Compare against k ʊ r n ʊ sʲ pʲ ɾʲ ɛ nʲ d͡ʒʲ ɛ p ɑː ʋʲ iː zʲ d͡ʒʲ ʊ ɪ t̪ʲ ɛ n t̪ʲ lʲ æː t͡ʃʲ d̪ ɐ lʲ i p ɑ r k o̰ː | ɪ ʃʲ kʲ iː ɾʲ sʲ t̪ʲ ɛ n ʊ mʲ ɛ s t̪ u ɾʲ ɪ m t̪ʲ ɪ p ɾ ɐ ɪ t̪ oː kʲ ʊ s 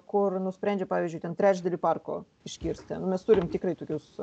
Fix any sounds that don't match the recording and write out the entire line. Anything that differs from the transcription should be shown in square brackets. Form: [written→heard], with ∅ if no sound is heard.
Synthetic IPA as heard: k ʊ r n ʊ sʲ pʲ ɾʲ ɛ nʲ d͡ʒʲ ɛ p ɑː ʋʲ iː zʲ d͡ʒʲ ʊ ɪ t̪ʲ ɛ n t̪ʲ [lʲ→ɾʲ] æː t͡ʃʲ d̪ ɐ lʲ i p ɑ r k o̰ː | ɪ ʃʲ kʲ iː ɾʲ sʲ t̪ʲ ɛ n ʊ mʲ ɛ s t̪ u ɾʲ ɪ m t̪ʲ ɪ [p→k] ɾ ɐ ɪ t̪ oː kʲ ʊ s